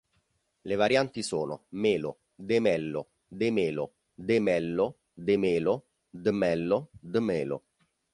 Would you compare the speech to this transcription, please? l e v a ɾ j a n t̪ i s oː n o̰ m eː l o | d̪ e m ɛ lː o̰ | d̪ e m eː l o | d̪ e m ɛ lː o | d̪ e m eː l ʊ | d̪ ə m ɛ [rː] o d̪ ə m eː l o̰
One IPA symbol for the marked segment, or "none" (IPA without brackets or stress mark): lː